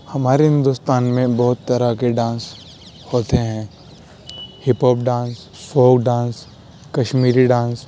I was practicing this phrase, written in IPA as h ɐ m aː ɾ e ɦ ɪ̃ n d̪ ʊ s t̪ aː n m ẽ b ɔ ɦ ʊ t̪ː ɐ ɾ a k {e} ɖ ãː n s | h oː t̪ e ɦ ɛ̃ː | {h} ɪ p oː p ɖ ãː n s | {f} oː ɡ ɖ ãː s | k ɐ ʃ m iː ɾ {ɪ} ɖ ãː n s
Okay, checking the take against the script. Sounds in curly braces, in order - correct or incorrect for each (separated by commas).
correct, correct, correct, incorrect